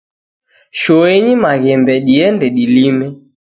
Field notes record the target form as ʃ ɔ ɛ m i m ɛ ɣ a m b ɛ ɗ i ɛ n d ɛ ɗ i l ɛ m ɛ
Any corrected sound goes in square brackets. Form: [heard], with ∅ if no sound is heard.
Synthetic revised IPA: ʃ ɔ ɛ [ɲ] i m [a] ɣ [ɛ] m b ɛ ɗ i ɛ n d ɛ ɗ i l [i] m ɛ